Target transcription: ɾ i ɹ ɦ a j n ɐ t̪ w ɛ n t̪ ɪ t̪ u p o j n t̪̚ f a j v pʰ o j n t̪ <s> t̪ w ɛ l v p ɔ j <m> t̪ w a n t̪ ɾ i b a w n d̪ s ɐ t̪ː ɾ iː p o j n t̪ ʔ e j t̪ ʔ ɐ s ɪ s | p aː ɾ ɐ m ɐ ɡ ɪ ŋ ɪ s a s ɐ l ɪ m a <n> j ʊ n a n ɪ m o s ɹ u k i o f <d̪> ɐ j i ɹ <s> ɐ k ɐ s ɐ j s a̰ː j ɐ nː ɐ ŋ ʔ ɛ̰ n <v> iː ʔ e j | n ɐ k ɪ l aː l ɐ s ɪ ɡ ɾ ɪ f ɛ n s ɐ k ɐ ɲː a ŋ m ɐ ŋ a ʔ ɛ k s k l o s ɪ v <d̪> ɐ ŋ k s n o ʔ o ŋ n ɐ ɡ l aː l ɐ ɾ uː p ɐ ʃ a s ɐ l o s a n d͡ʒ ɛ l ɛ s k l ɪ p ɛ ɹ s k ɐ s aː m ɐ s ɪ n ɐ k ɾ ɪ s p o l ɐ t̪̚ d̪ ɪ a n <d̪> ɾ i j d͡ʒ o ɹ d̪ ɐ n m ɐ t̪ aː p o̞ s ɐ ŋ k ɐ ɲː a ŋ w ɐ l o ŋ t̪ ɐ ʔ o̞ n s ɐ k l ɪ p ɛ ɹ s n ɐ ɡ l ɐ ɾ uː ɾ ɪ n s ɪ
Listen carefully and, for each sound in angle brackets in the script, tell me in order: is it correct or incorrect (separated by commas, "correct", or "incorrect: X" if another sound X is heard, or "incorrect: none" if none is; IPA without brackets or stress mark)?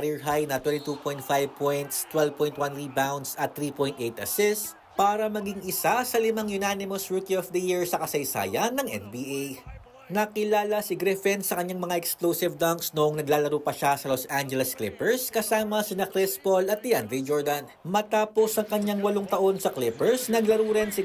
correct, incorrect: n, incorrect: ŋ, correct, correct, incorrect: b, correct, correct